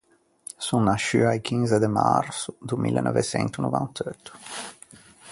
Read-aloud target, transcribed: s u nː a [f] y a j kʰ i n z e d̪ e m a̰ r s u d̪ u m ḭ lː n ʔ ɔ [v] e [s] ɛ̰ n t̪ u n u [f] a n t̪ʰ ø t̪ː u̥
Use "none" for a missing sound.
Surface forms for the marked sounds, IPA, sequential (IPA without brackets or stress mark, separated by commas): ʃ, v, s, v